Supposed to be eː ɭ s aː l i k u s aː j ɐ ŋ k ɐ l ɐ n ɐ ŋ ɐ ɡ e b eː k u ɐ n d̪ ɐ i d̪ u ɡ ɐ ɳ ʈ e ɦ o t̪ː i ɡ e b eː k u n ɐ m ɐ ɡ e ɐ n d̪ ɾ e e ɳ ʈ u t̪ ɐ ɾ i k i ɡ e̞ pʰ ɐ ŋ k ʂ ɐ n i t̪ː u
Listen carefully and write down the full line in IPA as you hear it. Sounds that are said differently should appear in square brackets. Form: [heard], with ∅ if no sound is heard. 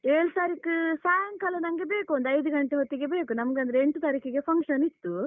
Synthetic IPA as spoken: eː ɭ s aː [ɾ] i k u s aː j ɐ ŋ k ɐ l ɐ n ɐ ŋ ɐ ɡ e b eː k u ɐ n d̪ ɐ [j] d̪ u ɡ ɐ ɳ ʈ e ɦ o t̪ː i ɡ e b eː k u n ɐ m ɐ ɡ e ɐ n d̪ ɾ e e ɳ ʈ u t̪ ɐ ɾ i k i ɡ e̞ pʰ ɐ ŋ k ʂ ɐ n i t̪ː u